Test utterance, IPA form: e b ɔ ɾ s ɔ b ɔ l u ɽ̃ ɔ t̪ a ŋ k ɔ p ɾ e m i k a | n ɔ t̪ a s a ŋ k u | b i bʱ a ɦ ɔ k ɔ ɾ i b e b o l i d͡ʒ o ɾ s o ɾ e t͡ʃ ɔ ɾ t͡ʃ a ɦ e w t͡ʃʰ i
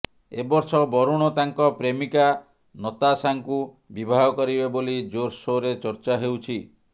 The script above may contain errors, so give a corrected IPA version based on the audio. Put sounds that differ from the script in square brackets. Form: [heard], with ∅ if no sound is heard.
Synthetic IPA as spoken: e b ɔ ɾ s ɔ b ɔ [ɾ] u ɽ̃ ɔ t̪ a ŋ k ɔ p ɾ e m i k a | n ɔ t̪ a s a ŋ k u | b i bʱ a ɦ ɔ k ɔ ɾ i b e b o l i d͡ʒ o ɾ s o ɾ e t͡ʃ ɔ ɾ t͡ʃ a ɦ e w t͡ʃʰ i